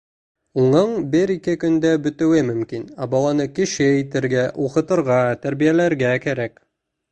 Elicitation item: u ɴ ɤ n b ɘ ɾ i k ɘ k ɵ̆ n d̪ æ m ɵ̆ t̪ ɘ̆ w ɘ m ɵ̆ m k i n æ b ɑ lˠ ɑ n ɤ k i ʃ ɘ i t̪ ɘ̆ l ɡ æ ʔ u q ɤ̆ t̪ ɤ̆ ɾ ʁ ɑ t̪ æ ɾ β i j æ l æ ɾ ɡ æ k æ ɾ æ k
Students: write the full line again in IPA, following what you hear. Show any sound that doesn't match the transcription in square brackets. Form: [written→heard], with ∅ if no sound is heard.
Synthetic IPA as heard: u ɴ ɤ [n→ɴ] b ɘ ɾ i k ɘ k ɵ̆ n d̪ æ [m→b] ɵ̆ t̪ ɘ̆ w ɘ m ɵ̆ m k i n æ b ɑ lˠ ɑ n ɤ k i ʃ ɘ i t̪ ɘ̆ [l→ɾ] ɡ æ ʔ u q ɤ̆ t̪ ɤ̆ ɾ ʁ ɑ t̪ æ ɾ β i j æ l æ ɾ ɡ æ k æ ɾ æ k